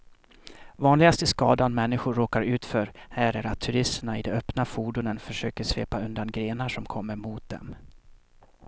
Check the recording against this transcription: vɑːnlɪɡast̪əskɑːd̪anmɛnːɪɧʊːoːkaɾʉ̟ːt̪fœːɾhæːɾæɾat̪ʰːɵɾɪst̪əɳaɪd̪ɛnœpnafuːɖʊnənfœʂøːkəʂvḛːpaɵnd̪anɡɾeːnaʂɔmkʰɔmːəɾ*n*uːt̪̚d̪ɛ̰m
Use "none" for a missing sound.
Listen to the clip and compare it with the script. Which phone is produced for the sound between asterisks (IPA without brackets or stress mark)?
m